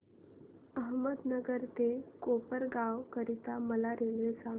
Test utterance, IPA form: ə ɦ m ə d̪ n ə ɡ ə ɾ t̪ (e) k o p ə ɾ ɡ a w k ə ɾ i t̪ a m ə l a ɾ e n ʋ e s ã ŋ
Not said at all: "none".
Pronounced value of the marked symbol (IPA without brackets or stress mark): e